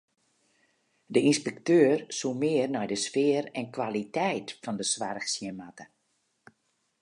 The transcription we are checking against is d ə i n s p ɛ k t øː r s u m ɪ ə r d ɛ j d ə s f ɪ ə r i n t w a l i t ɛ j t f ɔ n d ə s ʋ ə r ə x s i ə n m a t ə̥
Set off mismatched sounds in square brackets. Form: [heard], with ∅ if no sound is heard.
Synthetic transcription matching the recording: d ə i n s p ɛ k t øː r s u m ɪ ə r [n] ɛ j d ə s f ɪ ə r [ɛ] n [k] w a l i t ɛ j t f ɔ n d ə s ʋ [a] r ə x s [j] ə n m a t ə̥